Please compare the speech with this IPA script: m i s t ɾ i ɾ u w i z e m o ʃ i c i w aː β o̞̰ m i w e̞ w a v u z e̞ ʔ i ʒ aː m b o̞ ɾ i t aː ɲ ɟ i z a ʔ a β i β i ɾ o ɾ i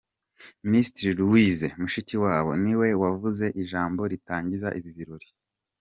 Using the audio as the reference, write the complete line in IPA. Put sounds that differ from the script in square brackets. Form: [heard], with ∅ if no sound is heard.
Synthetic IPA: m i s t ɾ i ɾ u w i z e m [u] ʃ i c i w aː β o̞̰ [n] i w e̞ w a v u z e̞ ʔ i ʒ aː m b o̞ ɾ i t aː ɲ ɟ i z a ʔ [i] β i β i ɾ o ɾ i